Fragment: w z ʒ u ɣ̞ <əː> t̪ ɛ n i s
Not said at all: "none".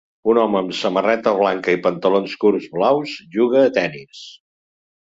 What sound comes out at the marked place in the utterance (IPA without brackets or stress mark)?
əː